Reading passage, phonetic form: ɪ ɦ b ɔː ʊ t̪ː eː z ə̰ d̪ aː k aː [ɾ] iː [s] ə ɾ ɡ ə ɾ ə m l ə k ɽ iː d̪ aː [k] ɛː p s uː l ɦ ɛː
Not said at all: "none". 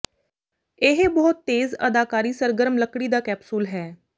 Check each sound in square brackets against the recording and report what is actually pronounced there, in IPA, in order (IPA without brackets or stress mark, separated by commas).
ɾ, s, k